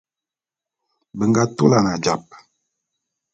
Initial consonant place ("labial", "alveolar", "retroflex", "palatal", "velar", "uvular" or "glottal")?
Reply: labial